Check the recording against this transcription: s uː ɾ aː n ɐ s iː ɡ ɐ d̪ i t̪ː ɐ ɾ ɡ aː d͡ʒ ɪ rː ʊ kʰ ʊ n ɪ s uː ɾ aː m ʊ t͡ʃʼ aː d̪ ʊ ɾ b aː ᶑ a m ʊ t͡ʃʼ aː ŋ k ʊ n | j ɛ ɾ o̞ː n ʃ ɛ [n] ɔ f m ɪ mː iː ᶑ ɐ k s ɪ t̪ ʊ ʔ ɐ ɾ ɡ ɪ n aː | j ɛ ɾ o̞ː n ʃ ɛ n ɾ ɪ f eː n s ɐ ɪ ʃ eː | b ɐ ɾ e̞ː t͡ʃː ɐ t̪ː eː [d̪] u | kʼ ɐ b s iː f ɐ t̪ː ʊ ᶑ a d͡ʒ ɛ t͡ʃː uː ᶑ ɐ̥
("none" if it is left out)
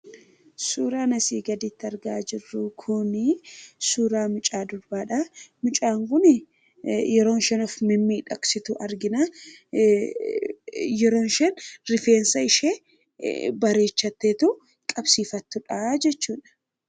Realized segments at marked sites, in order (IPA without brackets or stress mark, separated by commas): n, t̪